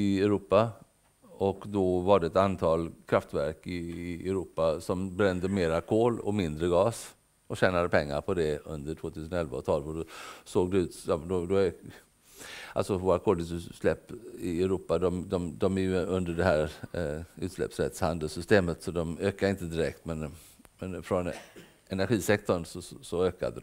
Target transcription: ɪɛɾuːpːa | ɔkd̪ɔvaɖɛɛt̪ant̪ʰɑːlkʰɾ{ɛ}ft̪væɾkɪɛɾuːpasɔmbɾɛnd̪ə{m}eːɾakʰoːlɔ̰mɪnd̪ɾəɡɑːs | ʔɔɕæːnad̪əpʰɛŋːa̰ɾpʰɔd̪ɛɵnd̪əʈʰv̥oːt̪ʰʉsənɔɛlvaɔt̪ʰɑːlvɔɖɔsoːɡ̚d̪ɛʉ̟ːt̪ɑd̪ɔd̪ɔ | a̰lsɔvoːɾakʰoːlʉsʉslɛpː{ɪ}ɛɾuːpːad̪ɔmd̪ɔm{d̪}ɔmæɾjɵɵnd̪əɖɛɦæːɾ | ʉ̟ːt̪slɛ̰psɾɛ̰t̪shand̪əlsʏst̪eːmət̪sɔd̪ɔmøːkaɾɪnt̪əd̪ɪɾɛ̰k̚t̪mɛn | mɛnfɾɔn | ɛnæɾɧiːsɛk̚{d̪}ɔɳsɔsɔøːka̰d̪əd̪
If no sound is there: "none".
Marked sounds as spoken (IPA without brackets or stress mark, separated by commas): a, m, ɪ, d̪, t̪